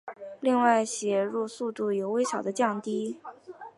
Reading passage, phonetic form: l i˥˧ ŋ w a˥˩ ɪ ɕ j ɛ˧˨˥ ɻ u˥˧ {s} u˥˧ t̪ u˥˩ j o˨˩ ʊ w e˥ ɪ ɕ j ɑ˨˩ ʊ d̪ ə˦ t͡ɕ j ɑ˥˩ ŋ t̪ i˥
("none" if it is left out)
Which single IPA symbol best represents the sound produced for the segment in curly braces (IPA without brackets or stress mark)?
s